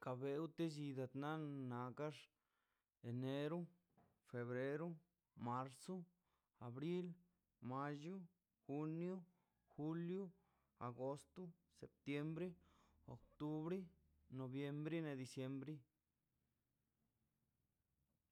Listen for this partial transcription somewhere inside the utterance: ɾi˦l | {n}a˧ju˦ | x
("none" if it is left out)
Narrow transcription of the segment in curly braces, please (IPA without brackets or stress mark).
m